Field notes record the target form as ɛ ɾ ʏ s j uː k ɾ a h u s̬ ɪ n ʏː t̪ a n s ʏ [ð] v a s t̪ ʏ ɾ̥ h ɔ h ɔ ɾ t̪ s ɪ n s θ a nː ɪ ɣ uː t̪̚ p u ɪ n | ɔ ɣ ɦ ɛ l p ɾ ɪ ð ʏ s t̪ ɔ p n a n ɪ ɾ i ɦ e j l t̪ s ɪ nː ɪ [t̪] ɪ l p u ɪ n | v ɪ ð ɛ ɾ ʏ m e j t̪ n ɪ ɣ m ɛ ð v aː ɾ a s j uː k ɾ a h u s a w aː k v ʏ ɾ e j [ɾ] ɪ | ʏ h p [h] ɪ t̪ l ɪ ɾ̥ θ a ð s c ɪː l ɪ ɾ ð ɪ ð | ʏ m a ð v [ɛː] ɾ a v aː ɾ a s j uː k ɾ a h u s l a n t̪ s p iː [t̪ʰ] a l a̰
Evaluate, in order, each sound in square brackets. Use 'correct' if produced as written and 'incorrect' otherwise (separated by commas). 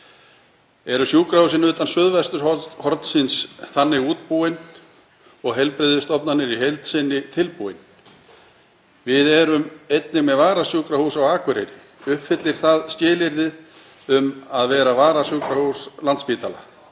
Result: correct, incorrect, correct, incorrect, correct, incorrect